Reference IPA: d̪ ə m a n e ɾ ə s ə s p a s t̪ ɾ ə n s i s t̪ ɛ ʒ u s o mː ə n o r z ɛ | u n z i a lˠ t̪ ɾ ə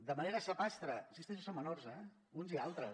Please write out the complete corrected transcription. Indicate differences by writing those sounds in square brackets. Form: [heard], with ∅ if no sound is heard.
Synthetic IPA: d̪ ə m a n e ɾ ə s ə [∅] p a s t̪ ɾ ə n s i s t̪ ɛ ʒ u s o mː ə n o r z ɛ | u n z i a lˠ t̪ ɾ ə